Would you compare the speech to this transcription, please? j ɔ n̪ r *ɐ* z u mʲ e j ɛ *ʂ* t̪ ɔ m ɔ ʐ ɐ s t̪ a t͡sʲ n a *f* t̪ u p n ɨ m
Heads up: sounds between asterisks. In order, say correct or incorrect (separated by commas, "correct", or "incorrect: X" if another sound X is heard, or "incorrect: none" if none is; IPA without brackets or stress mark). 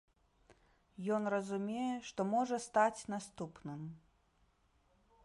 correct, correct, incorrect: s